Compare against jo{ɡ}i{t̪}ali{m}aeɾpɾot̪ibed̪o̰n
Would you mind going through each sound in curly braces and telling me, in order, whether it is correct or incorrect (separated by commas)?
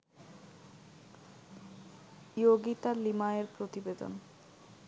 correct, correct, correct